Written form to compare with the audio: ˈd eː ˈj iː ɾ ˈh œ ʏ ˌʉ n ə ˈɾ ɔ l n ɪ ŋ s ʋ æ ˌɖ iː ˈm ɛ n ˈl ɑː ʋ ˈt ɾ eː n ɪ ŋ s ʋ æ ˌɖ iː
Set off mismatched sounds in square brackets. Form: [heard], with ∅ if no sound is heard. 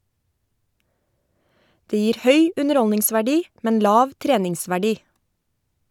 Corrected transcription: ˈd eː ˈj iː ɾ ˈh œ ʏ ˌʉ n ə ˈɾ ɔ l n ɪ ŋ s ʋ æ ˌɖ iː ˈm ɛ n ˈl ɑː ʋ ˈt ɾ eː n ɪ ŋ s ʋ æ ˌɖ iː